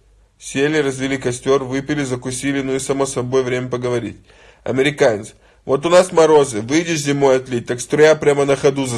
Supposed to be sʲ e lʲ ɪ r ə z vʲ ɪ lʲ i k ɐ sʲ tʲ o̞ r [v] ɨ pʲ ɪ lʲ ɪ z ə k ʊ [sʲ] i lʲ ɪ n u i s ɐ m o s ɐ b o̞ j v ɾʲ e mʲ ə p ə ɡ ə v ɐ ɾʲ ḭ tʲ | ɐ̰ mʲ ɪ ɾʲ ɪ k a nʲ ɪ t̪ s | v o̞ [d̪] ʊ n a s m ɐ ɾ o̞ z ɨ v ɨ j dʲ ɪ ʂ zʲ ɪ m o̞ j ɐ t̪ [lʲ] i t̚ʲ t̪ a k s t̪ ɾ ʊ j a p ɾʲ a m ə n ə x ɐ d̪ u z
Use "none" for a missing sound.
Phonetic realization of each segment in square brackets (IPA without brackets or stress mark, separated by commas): v, sʲ, t̪, lʲ